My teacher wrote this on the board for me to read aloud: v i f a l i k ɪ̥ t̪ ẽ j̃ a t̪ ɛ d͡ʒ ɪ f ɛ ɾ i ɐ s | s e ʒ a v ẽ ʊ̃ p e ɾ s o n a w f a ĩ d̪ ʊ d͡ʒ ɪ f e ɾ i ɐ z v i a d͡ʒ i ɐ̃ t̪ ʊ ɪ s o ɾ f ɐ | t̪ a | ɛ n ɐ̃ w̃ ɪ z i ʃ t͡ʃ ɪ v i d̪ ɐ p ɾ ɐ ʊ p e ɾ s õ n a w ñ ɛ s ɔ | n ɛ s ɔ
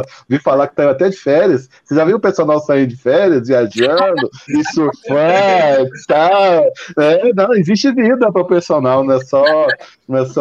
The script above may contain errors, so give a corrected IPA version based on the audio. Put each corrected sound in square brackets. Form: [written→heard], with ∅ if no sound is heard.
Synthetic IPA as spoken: v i f a l [i→a] k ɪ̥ t̪ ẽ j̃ a t̪ ɛ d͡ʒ ɪ f ɛ ɾ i ɐ s | s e ʒ a v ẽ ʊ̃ p e ɾ s o n a w [f→s] a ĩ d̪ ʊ d͡ʒ ɪ f [e→ɛ] ɾ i ɐ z v i a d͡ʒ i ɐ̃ [t̪→d̪] ʊ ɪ s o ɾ f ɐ | t̪ a | ɛ n ɐ̃ w̃ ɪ z i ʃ t͡ʃ ɪ v i d̪ ɐ p ɾ ɐ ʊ p e ɾ s [õ→o] n a w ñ ɛ s ɔ | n ɛ s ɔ